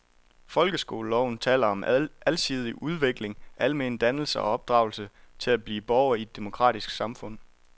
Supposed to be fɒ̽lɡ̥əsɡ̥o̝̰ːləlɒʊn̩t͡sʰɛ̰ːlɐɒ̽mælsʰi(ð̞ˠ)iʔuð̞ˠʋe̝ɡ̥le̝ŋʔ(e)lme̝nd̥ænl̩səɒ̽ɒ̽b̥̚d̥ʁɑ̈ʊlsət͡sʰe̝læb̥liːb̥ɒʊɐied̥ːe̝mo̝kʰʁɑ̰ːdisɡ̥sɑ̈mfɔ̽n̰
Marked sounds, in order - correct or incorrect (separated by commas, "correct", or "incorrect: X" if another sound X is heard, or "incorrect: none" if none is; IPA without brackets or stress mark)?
correct, incorrect: æ